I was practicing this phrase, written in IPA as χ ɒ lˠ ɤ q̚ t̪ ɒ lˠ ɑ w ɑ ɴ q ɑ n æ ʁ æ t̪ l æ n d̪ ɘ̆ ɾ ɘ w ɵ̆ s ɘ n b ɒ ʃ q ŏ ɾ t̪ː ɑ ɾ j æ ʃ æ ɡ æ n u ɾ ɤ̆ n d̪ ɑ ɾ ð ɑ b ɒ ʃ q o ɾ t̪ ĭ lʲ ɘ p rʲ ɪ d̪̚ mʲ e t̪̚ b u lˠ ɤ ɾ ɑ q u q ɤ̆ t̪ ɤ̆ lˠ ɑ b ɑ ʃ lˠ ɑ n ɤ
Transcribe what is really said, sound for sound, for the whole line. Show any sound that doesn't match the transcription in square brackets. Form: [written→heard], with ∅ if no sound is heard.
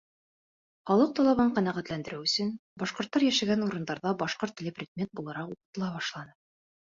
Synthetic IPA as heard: χ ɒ lˠ ɤ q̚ t̪ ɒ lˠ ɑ [w→β] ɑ ɴ q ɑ n æ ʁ æ t̪ l æ n d̪ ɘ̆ ɾ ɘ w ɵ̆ s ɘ n b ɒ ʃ q ŏ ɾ t̪ː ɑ ɾ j æ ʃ æ ɡ æ n u ɾ ɤ̆ n d̪ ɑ ɾ ð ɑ b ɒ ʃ q o ɾ t̪ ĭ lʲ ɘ p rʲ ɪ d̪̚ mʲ e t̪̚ b u lˠ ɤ ɾ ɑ q u q ɤ̆ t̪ ɤ̆ lˠ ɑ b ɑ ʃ lˠ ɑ n ɤ